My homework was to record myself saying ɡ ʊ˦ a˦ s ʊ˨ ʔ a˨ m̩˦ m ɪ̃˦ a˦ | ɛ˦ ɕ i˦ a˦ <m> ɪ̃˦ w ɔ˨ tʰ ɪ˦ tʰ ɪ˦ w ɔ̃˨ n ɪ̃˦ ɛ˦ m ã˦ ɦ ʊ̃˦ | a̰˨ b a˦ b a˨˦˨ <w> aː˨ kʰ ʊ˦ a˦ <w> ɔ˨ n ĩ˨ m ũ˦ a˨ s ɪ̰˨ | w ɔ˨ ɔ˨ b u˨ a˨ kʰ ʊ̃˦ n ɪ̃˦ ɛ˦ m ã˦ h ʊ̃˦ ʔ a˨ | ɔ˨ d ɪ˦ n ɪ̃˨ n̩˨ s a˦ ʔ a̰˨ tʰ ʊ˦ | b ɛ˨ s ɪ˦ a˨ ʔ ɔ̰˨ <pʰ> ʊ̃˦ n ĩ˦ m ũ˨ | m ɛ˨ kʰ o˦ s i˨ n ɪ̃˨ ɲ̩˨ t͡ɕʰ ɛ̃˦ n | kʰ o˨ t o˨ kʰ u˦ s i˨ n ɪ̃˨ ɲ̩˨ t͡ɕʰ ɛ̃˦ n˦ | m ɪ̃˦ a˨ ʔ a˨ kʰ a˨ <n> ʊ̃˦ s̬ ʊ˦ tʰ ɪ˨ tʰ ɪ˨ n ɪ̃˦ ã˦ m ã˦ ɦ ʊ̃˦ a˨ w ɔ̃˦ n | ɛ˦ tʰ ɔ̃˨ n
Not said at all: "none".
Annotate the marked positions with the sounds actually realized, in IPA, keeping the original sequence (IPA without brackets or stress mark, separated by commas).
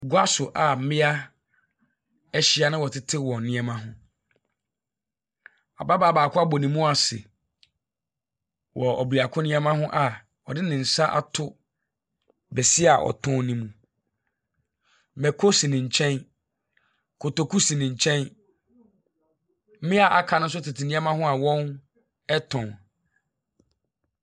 n, b, b, tʰ, n